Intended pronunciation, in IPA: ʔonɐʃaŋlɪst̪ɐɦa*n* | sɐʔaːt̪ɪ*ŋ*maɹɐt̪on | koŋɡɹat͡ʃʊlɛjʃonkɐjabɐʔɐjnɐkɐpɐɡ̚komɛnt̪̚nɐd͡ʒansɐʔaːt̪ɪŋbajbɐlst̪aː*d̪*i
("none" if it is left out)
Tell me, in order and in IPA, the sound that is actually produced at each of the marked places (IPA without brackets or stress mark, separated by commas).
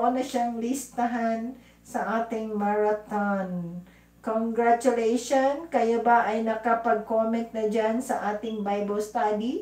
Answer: n, ŋ, d̪